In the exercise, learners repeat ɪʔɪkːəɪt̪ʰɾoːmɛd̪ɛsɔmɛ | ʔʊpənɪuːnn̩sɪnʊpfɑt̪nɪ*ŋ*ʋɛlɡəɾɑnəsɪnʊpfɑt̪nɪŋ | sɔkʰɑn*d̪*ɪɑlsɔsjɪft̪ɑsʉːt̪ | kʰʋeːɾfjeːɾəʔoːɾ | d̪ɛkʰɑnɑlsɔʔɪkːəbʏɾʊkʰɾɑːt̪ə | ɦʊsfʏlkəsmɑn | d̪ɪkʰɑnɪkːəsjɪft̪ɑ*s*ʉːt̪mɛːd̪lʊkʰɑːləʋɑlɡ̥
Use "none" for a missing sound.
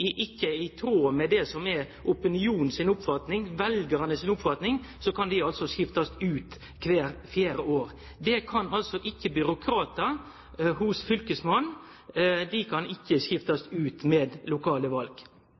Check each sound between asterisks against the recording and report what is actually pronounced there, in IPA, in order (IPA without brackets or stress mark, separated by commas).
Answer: ŋ, d̪, s